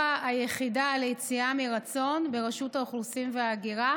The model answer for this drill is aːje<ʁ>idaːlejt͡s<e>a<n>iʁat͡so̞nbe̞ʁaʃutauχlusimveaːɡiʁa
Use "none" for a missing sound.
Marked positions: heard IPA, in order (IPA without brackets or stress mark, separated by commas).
χ, i, m